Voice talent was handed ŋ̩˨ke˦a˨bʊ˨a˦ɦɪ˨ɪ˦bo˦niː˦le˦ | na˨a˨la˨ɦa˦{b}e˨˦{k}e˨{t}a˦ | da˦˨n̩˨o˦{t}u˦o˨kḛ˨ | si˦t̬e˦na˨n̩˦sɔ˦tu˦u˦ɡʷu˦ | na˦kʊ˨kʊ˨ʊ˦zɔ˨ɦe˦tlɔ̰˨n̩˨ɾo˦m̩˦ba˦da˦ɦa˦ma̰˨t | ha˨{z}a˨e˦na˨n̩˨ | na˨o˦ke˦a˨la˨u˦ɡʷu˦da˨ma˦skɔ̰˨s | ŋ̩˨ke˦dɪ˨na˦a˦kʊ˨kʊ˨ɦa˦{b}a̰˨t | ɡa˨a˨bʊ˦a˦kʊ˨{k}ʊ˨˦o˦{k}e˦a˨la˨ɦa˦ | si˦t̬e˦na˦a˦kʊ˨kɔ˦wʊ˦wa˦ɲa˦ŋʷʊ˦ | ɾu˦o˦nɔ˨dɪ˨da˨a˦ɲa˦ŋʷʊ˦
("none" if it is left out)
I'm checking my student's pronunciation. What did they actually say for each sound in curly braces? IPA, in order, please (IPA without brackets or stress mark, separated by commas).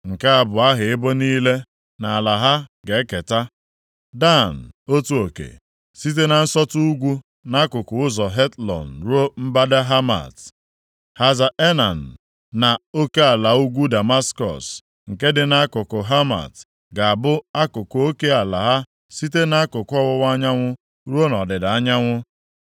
ɡ, k, t, t, z, m, k, k